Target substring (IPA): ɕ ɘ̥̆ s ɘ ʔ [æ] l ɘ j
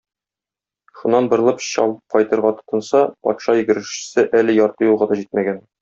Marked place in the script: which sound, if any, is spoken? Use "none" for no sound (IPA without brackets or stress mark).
æ